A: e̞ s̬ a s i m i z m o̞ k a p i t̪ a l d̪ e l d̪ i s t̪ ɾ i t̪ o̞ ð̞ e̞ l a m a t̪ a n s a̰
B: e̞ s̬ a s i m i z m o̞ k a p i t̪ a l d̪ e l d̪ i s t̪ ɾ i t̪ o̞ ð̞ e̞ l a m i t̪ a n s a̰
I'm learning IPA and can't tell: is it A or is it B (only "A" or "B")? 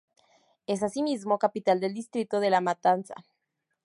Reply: A